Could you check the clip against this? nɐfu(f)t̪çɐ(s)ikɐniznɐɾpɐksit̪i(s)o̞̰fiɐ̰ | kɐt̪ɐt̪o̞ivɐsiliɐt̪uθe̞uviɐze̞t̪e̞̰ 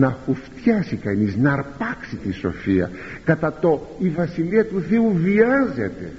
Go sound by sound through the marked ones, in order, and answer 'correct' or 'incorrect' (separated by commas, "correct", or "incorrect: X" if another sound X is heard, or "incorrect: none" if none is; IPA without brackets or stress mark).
correct, correct, correct